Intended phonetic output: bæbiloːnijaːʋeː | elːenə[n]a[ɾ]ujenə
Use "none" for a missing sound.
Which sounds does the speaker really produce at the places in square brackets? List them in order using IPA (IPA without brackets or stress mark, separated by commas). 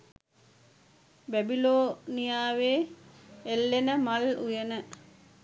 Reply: m, l